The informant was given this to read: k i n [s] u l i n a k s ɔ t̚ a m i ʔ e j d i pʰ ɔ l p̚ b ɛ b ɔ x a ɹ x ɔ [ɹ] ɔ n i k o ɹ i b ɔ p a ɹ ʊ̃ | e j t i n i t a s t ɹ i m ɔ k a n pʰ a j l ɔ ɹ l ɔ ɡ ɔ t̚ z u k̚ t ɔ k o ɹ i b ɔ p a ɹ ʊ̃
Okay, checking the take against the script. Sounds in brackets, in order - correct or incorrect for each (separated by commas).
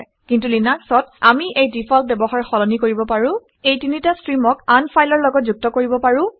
incorrect, incorrect